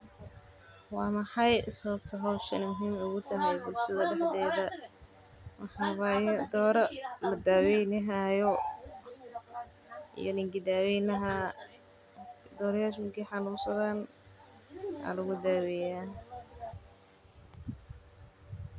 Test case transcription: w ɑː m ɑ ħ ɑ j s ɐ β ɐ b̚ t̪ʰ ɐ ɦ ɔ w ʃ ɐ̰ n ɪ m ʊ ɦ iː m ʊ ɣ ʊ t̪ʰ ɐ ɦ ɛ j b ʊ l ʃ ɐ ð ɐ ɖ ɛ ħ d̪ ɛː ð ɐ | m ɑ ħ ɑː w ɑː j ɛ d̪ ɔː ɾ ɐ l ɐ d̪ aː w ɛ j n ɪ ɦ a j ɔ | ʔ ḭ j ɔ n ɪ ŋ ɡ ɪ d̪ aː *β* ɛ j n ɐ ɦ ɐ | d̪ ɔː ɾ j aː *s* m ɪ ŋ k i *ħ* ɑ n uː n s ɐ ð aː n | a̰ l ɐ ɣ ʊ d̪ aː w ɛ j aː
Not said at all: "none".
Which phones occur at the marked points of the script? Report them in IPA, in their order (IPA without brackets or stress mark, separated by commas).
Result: w, ʃ, ħ